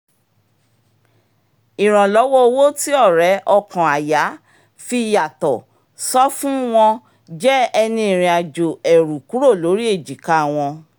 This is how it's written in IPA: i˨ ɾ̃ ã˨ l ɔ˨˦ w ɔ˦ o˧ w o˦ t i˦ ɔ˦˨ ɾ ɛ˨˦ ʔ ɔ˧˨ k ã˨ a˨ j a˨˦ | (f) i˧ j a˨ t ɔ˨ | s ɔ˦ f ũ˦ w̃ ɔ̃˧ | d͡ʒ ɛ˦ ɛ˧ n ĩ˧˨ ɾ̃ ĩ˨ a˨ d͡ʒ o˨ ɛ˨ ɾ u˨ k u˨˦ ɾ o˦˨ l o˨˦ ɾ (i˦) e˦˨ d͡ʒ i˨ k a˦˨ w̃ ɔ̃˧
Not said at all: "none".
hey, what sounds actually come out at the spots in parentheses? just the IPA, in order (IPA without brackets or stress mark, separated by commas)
f, i˦